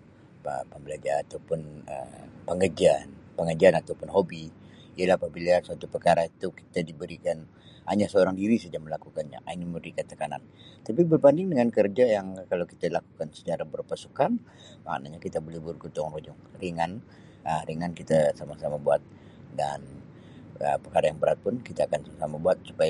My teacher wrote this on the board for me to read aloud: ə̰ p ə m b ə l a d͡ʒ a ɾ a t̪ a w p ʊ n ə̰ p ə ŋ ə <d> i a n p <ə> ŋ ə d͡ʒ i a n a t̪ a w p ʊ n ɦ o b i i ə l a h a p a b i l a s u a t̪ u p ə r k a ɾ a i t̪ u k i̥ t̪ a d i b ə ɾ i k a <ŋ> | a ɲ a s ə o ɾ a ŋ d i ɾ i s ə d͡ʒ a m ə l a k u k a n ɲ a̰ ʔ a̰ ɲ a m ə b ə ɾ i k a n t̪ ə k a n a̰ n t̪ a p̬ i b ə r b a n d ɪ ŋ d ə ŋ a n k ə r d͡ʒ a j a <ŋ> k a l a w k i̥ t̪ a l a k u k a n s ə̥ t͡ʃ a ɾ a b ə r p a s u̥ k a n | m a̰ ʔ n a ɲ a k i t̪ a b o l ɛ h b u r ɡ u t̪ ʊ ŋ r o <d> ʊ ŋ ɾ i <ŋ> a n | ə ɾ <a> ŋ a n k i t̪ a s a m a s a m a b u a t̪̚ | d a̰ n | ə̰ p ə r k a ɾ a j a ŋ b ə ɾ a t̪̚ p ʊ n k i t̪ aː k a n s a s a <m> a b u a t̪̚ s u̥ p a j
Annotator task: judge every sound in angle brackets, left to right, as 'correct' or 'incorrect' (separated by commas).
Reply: incorrect, correct, incorrect, correct, incorrect, correct, incorrect, correct